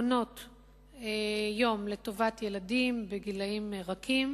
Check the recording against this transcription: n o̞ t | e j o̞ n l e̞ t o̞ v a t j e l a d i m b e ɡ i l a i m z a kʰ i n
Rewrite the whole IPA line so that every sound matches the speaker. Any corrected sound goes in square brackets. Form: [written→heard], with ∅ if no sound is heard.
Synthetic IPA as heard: n o̞ t | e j o̞ [n→m] l e̞ t o̞ v a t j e l a d i m b e ɡ i l a i m [z→ʁ] a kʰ i [n→m]